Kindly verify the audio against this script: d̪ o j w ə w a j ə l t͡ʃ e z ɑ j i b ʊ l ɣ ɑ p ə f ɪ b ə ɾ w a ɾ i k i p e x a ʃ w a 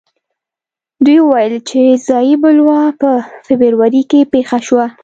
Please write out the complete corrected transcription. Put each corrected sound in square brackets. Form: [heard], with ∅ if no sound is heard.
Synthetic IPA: d̪ [u] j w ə w a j ə l t͡ʃ e z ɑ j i b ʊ l [w] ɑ p ə f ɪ b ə ɾ w a ɾ i k [e] p e x a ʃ w a